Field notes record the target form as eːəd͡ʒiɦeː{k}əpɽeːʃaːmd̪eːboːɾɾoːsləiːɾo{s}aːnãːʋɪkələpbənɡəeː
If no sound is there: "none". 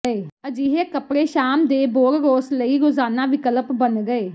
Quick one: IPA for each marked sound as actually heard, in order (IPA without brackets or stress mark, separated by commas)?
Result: k, z